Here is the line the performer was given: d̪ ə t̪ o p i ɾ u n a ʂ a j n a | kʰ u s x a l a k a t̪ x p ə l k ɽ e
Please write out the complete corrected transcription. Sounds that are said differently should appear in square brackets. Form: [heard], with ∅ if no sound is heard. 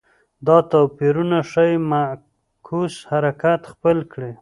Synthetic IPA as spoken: d̪ [ɑ] t̪ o p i ɾ u n a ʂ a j [m] a | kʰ u s [h] a [ɾ] a k a t̪ x p ə l k ɽ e